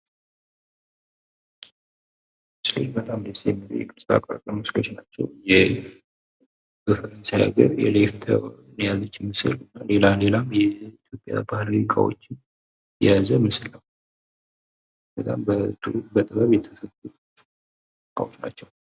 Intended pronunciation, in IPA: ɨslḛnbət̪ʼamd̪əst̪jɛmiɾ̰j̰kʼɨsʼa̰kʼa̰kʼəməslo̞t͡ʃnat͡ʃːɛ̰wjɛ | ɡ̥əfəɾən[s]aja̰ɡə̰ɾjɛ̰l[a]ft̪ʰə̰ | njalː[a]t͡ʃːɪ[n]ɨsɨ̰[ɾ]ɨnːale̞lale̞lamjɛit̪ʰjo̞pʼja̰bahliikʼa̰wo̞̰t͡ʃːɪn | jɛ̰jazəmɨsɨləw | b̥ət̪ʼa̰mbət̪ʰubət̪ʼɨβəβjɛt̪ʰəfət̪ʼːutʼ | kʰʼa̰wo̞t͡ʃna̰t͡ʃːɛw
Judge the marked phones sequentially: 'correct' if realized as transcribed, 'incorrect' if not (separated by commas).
correct, incorrect, incorrect, incorrect, incorrect